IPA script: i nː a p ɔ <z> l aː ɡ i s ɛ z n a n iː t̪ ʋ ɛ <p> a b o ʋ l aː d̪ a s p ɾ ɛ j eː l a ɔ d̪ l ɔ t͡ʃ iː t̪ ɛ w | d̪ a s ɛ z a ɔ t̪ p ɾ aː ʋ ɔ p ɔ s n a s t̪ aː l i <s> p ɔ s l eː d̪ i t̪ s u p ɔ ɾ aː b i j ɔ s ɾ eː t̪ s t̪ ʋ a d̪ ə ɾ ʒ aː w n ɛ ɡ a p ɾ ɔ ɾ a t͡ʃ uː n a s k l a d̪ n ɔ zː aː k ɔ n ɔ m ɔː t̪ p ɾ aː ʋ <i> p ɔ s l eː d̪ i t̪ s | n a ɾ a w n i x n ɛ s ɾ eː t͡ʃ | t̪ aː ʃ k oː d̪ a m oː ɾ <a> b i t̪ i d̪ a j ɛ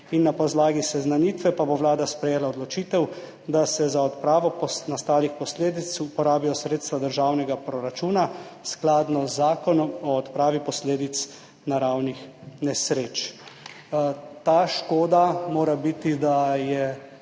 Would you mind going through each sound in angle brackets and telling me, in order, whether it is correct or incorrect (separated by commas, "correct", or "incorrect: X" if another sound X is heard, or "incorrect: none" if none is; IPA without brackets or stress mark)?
correct, correct, incorrect: x, correct, correct